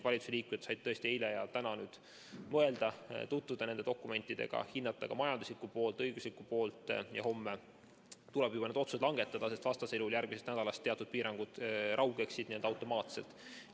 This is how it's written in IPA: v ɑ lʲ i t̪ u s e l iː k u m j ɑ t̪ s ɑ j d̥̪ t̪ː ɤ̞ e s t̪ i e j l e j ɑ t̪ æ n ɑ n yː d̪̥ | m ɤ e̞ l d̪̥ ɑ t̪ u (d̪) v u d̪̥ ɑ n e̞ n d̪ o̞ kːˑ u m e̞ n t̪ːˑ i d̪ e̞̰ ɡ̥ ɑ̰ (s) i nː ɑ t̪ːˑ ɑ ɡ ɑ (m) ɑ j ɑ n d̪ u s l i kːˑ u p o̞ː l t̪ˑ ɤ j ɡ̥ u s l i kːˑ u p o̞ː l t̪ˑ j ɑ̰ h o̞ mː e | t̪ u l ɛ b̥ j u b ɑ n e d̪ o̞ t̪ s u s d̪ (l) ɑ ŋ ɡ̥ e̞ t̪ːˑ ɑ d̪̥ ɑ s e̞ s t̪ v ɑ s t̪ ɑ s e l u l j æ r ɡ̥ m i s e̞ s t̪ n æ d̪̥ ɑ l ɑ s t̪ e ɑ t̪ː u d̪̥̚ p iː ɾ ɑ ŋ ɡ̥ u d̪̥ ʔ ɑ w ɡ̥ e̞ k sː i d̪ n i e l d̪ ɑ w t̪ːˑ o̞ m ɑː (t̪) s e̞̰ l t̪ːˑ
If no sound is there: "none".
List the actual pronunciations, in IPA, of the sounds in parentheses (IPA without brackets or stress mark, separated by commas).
t̪, h, m, l, t̪